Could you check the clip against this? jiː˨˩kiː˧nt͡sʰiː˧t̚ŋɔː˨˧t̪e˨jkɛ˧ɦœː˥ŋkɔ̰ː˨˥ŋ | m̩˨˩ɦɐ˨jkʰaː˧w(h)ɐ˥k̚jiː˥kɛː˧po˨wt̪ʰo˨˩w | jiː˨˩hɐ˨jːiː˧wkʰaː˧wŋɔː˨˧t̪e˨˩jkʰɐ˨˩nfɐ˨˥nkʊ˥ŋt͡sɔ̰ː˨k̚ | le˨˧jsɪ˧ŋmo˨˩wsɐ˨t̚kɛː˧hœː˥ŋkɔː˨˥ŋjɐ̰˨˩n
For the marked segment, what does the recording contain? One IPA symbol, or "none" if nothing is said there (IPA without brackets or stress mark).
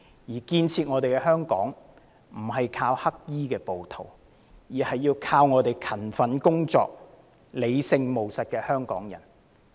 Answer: h